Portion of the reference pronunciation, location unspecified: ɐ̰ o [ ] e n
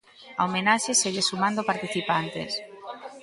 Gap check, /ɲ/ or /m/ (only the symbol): m